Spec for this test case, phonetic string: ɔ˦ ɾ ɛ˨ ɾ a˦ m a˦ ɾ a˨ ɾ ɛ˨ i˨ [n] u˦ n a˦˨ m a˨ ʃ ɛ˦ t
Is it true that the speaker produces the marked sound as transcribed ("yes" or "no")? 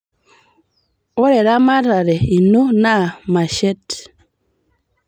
yes